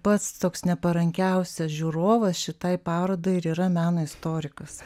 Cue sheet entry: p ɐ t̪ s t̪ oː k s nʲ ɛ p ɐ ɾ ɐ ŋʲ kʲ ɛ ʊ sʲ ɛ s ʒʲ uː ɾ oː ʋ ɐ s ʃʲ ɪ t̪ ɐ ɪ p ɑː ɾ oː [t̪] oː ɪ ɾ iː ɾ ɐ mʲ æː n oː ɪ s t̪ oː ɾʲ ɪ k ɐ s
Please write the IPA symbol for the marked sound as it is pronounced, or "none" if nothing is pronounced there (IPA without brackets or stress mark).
d̪